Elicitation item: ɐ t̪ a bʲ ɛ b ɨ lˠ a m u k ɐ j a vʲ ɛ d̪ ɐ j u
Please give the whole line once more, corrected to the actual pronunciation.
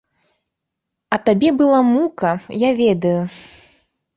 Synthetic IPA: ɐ t̪ a bʲ ɛ b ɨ lˠ a m u k ɐ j a vʲ ɛ d̪ ɐ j u